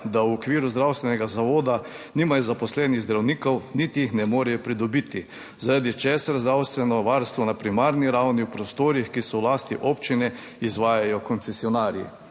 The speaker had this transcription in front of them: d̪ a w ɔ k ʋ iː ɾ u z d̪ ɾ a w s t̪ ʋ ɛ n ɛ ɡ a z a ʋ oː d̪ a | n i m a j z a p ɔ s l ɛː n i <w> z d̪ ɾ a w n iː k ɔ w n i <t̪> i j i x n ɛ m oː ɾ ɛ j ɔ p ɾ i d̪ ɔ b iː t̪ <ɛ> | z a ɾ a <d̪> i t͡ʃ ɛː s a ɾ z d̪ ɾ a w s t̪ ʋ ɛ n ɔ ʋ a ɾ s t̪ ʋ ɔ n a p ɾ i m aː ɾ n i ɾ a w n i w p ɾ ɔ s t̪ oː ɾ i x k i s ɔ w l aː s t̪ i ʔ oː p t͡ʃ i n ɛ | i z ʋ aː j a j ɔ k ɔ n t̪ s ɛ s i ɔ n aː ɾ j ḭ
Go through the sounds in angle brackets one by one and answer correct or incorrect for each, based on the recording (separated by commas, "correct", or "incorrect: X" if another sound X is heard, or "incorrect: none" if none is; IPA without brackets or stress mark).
incorrect: ɣ, correct, incorrect: i, correct